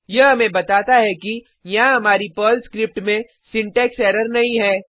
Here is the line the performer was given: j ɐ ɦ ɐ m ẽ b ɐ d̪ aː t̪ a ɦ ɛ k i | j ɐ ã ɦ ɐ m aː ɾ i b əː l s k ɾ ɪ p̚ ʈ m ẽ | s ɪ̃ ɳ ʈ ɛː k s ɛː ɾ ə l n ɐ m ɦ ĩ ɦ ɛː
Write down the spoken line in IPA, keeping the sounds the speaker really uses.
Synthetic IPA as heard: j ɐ ɦ ɐ m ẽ b ɐ t̪ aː t̪ a ɦ ɛ k i | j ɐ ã ɦ ɐ m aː ɾ i p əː l s k ɾ ɪ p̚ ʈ m ẽ | s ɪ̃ ɳ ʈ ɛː k s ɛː ɾ ə ɾ n ɐ ɦ ĩ ɦ ɛː